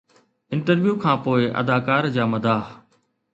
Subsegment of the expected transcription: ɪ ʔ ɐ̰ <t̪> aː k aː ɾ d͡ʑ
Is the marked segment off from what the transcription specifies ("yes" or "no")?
yes